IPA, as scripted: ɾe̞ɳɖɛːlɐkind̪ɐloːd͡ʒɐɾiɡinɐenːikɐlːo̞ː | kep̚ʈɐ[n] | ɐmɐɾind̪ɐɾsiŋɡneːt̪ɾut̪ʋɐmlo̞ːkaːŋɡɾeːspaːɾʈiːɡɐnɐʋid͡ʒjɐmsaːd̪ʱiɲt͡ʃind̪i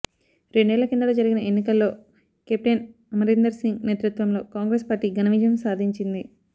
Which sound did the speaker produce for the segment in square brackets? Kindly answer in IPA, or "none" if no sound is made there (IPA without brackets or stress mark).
n